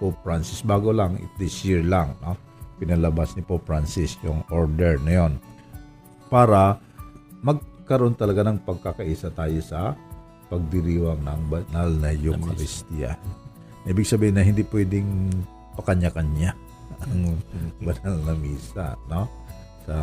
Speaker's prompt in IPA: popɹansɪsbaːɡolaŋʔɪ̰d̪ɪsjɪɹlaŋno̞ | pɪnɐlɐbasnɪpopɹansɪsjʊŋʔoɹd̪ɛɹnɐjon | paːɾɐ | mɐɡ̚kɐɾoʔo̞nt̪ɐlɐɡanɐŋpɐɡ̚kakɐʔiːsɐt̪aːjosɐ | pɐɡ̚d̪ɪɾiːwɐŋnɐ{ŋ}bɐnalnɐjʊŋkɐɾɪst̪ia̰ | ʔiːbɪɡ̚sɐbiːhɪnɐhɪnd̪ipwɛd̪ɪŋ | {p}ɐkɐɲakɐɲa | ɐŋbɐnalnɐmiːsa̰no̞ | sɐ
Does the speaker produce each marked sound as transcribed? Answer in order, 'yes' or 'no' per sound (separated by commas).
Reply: yes, yes